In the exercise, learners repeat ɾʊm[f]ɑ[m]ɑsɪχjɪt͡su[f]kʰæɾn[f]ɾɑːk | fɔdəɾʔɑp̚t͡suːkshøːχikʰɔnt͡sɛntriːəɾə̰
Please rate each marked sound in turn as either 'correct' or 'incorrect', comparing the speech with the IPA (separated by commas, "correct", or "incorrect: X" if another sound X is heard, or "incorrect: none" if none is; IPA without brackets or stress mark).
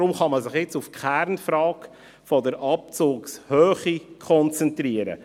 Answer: incorrect: χ, correct, correct, correct